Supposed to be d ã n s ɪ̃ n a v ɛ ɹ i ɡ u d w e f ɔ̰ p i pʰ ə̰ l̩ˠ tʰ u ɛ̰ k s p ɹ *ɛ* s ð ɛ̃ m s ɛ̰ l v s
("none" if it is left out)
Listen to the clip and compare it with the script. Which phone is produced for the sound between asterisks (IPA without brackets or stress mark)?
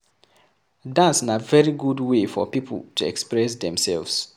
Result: ɛ